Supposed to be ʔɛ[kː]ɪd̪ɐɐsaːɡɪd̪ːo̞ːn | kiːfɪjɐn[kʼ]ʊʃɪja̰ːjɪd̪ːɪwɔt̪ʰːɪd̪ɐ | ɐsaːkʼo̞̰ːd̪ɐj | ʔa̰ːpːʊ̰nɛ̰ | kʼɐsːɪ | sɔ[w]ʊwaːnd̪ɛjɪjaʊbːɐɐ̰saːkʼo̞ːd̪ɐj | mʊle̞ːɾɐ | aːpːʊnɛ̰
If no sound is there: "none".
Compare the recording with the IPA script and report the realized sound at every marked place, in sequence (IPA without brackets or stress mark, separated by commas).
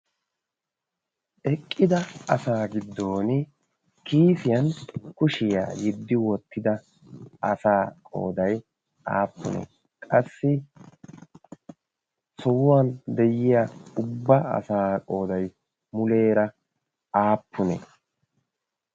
kʼː, k, w